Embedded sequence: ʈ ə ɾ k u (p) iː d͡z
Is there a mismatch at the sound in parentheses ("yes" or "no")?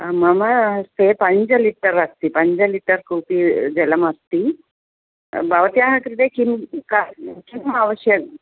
no